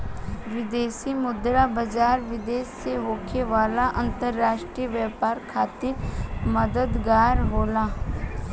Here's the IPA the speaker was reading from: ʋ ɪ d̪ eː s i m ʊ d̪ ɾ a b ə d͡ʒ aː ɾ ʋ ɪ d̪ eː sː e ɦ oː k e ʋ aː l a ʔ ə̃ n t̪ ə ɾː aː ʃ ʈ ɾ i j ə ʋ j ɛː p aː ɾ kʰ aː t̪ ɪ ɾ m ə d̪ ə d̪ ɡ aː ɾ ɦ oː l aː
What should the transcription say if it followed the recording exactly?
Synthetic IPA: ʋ ɪ d̪ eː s i m ʊ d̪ ɾ a b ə d͡ʒ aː ɾ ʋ ɪ d̪ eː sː e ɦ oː kʰ e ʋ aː l a ʔ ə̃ n t̪ ə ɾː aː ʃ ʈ ɾ i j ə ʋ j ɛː p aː ɾ kʰ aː t̪ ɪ ɾ m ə d̪ ə d̪ ɡ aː ɾ ɦ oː l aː